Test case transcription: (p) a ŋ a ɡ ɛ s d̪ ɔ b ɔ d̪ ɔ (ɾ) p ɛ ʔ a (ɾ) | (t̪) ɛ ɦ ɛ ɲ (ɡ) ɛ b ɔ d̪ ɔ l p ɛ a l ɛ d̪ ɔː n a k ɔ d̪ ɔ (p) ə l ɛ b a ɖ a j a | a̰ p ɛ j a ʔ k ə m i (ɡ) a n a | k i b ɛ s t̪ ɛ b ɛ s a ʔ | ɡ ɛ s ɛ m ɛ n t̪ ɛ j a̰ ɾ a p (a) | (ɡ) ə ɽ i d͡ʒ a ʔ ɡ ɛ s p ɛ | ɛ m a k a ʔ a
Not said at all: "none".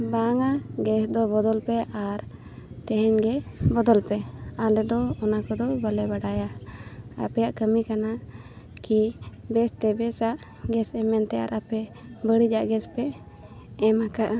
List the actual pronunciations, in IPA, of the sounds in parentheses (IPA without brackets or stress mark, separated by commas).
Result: b, l, ɾ, t̪, ɡ, b, k, ɛ, b